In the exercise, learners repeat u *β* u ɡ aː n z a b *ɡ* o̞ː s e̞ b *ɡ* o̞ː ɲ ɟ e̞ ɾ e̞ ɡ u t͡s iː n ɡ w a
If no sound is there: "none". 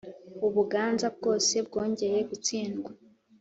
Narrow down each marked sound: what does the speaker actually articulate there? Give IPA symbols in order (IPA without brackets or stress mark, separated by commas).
β, ɡ, ɡ